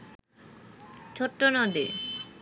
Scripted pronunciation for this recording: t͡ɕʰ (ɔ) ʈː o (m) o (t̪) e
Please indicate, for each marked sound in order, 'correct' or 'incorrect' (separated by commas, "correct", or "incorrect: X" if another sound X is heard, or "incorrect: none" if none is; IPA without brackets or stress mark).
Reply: incorrect: o, incorrect: n, incorrect: d̪